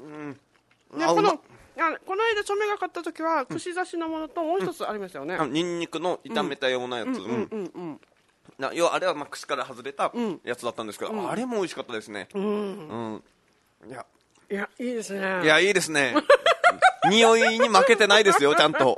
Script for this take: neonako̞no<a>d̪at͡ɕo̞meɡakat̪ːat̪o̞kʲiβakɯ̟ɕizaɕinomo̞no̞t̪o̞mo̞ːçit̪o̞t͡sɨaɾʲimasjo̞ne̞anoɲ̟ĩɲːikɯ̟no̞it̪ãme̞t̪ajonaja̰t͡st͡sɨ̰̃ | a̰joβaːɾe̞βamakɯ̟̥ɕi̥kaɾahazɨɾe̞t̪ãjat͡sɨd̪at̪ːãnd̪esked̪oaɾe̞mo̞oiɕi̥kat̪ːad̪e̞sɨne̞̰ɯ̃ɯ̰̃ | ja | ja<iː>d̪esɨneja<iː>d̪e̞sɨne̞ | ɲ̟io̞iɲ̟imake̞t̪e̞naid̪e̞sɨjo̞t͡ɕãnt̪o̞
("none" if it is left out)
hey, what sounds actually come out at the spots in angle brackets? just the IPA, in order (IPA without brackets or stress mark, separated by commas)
e, iː, iː